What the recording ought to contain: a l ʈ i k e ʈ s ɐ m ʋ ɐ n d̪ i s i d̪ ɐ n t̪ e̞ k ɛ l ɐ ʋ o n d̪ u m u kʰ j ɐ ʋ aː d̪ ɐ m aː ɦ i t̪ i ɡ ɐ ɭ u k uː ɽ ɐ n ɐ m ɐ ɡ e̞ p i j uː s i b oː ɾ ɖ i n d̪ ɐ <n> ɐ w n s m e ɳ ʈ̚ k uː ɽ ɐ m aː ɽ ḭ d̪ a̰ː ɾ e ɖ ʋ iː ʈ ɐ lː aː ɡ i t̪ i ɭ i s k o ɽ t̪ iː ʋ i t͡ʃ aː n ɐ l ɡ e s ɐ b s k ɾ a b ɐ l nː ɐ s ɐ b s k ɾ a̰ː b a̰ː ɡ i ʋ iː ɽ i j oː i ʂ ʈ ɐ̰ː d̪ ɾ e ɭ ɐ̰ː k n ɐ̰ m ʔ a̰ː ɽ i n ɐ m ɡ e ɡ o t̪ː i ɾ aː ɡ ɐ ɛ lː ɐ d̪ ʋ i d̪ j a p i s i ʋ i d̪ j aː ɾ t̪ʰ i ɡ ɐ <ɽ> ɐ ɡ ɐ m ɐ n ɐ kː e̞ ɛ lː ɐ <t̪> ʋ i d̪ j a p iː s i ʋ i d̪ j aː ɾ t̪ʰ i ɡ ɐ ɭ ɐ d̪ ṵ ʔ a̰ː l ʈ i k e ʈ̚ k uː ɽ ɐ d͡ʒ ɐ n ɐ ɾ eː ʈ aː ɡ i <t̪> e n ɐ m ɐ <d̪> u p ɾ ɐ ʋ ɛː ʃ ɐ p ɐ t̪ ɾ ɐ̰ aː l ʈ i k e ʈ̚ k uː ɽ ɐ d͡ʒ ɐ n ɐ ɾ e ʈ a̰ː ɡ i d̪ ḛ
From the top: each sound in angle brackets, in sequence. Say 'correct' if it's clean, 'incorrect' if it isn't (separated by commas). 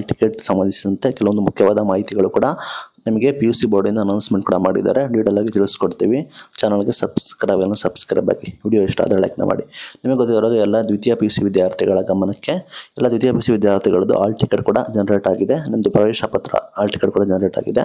correct, incorrect, incorrect, incorrect, correct